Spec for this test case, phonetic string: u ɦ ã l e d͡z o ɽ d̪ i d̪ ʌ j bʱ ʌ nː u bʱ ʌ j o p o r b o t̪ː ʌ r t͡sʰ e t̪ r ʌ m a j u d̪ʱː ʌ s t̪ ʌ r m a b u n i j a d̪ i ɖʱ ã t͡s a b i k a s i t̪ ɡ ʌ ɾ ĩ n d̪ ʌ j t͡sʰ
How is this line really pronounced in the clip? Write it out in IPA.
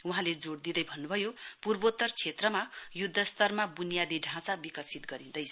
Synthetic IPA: u ɦ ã l e d͡z o ɽ d̪ i d̪ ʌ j bʱ ʌ nː u bʱ ʌ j o p u r b o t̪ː ʌ r t͡sʰ e t̪ r ʌ m a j u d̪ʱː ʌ s t̪ ʌ r m a b u n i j a d̪ i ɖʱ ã t͡s a b i k ʌ s i t̪ ɡ ʌ ɾ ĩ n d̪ ʌ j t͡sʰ